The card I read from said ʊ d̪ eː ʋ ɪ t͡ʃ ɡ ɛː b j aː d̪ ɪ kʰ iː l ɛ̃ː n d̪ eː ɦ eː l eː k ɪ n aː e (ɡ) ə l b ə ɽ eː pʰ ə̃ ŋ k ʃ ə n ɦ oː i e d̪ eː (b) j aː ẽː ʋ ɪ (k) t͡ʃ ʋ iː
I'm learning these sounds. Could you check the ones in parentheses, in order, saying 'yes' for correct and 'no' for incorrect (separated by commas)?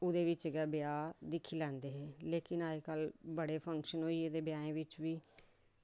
no, yes, no